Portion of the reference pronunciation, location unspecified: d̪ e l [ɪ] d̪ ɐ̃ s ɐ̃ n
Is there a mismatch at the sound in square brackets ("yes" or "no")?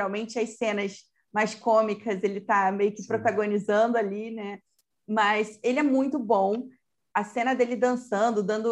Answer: no